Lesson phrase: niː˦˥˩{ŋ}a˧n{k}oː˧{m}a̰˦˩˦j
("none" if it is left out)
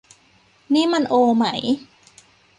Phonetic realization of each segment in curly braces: m, ʔ, m

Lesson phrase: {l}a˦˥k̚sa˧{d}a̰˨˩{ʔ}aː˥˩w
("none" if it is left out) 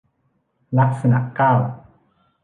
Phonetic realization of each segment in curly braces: l, n, k

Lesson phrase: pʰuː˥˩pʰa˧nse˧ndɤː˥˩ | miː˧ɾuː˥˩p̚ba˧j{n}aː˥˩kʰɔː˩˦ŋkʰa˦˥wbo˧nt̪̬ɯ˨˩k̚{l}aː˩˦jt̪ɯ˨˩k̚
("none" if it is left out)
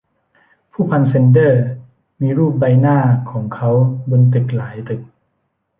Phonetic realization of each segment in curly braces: n, l

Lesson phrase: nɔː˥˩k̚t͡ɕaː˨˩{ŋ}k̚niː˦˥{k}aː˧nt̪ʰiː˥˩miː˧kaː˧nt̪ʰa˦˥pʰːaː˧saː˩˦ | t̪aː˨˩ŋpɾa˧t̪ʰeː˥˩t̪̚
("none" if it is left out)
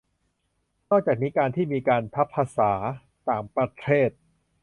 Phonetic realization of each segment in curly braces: none, k

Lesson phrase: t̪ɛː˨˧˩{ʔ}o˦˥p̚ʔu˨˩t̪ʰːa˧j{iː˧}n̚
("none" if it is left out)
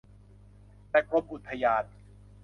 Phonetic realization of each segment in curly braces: k, aː˧

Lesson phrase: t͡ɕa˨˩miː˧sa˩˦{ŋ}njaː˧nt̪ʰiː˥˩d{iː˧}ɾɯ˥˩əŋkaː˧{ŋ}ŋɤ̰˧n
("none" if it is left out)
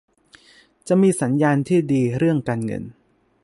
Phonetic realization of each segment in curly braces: none, iː˧, n

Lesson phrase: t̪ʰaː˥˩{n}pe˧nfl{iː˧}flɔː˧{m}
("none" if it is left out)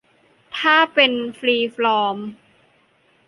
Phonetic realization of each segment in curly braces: none, iː˧, m

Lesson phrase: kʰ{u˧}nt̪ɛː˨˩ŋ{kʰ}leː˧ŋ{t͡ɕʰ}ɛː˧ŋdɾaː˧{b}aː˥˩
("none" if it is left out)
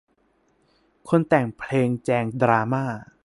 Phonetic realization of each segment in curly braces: o˧, pʰ, t͡ɕ, m

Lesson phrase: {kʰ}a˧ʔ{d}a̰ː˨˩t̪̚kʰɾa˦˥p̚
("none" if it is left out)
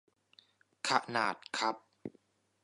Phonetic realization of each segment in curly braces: kʰ, n

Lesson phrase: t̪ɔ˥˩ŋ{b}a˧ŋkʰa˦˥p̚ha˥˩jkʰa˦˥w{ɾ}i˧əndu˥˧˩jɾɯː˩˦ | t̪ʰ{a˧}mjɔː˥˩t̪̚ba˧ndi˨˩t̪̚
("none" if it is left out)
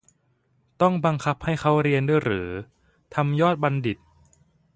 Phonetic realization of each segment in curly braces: b, ɾ, a˧

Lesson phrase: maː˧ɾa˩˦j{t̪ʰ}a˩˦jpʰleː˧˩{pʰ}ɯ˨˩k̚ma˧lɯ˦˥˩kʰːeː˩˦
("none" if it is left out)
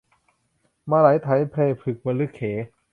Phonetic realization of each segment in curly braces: t̪ʰ, pʰ

